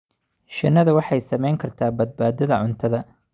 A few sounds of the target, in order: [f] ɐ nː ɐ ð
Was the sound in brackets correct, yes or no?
no